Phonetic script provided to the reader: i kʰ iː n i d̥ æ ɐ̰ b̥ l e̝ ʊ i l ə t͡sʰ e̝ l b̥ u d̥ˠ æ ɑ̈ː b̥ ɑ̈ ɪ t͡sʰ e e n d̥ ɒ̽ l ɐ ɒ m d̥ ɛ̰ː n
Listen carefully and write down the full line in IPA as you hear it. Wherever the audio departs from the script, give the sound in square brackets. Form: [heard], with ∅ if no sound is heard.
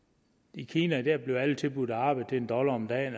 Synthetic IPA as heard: i kʰ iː n [æ] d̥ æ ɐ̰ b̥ l e̝ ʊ [æ] l ə t͡sʰ e̝ l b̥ u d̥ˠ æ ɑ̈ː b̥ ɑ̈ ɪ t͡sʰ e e n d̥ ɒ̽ l ɐ ɒ m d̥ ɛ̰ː n

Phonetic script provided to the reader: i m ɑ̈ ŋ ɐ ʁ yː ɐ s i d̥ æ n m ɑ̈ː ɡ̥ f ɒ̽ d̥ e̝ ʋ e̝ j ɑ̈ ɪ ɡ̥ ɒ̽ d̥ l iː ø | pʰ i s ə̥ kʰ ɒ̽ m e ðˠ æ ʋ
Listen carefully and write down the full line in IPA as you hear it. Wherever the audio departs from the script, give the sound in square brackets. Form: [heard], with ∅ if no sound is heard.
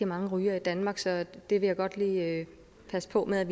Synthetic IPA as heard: i m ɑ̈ ŋ [ə] ʁ yː ɐ [∅] i d̥ æ n m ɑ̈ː ɡ̥ [s] ɒ̽ d̥ e̝ ʋ e̝ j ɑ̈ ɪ ɡ̥ ɒ̽ d̥ l iː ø | pʰ [æ] s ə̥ [pʰ] ɒ̽ m e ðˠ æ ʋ

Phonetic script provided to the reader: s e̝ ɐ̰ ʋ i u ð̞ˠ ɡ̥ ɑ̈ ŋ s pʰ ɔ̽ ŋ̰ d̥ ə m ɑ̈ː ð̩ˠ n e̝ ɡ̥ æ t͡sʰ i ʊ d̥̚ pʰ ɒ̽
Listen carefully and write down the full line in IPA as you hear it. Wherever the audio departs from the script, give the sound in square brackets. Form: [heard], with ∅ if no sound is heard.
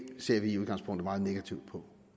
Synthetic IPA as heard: s e̝ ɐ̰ ʋ i u ð̞ˠ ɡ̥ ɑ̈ ŋ s pʰ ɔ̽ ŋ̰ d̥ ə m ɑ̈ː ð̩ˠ n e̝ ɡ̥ æ t͡sʰ i ʊ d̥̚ pʰ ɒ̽

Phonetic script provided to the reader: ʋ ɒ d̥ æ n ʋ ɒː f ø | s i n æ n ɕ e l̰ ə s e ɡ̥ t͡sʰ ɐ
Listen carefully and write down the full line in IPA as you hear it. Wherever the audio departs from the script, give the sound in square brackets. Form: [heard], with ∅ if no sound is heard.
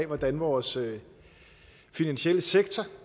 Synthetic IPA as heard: ʋ ɒ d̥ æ n ʋ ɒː [s] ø | [f] i n æ n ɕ e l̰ ə s e ɡ̥ t͡sʰ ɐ

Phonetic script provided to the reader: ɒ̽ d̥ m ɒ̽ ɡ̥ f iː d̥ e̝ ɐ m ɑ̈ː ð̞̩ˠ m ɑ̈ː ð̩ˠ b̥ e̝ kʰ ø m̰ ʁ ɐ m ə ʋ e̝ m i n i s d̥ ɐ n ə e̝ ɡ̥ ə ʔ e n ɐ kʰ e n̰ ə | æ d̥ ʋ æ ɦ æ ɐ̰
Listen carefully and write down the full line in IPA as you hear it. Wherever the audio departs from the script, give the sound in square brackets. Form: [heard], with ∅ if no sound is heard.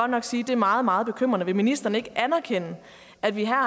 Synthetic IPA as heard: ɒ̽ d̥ [n] ɒ̽ ɡ̥ [s] iː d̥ e̝ ɐ m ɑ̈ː ð̞̩ˠ m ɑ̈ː ð̩ˠ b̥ e̝ kʰ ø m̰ ʁ ɐ [n] ə ʋ e̝ m i n i s d̥ ɐ n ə e̝ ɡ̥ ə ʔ [æ] n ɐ kʰ e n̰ ə | æ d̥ ʋ [i] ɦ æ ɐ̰

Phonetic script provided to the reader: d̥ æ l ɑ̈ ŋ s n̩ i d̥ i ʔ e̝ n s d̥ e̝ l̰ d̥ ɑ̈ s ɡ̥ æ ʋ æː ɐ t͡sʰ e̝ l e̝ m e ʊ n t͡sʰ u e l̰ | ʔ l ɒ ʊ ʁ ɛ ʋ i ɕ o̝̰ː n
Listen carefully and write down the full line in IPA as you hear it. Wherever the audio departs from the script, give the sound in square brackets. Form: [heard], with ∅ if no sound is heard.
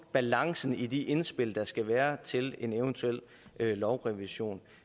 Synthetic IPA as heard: [b̥] æ l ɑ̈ ŋ s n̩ i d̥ i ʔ e̝ n s [b̥] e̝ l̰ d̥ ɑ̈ s ɡ̥ æ ʋ æː ɐ t͡sʰ e̝ l e̝ [n] e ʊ n t͡sʰ u e l̰ | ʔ l ɒ ʊ ʁ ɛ ʋ i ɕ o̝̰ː n

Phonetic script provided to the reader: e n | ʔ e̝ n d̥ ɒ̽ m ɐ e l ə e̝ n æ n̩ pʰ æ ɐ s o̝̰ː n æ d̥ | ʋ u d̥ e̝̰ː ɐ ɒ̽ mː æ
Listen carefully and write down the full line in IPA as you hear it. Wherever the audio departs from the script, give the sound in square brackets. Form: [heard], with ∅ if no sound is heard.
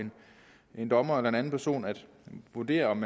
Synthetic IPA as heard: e n | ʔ e̝ n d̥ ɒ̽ m ɐ e l [ɐ] e̝ n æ n̩ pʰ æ ɐ s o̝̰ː n æ d̥ | ʋ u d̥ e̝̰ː ɐ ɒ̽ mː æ

